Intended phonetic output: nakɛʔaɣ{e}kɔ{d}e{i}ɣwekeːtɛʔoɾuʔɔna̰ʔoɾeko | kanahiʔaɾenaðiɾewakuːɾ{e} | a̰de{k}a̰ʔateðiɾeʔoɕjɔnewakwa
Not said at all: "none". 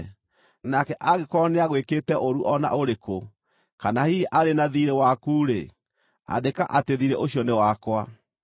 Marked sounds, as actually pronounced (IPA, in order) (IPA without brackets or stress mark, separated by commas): e, n, a, e, k